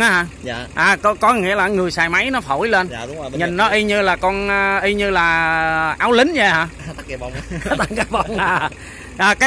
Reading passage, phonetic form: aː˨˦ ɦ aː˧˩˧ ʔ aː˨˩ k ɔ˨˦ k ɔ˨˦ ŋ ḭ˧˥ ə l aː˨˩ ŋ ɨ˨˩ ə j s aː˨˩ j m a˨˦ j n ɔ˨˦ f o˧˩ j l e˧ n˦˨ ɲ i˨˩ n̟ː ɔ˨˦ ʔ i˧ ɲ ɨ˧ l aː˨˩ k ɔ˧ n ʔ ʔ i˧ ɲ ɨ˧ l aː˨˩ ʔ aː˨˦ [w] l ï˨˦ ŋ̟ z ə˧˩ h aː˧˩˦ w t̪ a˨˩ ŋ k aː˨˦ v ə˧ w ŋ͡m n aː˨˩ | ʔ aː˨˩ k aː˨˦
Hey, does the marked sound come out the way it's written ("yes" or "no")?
yes